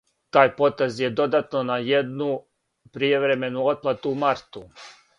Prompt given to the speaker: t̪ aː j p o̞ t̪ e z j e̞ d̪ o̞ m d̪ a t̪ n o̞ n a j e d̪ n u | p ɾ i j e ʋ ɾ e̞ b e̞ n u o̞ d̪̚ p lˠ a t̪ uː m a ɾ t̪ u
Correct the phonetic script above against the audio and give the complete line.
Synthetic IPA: t̪ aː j p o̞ t̪ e z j e̞ d̪ o̞ d̪ a t̪ n o̞ n a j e d̪ n u | p ɾ i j e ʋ ɾ e̞ m e̞ n u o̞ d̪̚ p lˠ a t̪ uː m a ɾ t̪ u

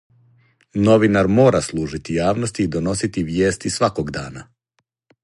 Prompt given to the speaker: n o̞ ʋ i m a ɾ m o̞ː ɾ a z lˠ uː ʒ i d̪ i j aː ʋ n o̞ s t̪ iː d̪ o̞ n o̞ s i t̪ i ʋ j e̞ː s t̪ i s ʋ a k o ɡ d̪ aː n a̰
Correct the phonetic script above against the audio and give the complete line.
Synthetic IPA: n o̞ ʋ i n a ɾ m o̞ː ɾ a s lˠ uː ʒ i t̪ i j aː ʋ n o̞ s t̪ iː d̪ o̞ n o̞ s i t̪ i ʋ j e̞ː s t̪ i s ʋ a k o ɡ d̪ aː n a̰

